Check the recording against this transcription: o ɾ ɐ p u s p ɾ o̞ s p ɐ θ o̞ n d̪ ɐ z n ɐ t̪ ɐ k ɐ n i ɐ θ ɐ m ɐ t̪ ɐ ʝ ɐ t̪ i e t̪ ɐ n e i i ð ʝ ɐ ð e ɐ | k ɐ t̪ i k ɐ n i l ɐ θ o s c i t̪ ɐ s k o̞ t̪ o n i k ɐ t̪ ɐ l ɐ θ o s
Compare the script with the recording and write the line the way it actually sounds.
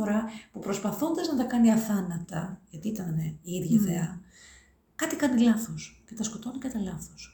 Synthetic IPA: o ɾ ɐ p u p ɾ o̞ s p ɐ θ o̞ n d̪ ɐ z n ɐ t̪ ɐ k ɐ n i ɐ θ ɐ n ɐ t̪ ɐ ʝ ɐ t̪ i i t̪ ɐ n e i i ð ʝ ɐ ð e ɐ | k ɐ t̪ i k ɐ n i l ɐ θ o s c e t̪ ɐ s k o̞ t̪ o n i k ɐ t̪ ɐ l ɐ θ o s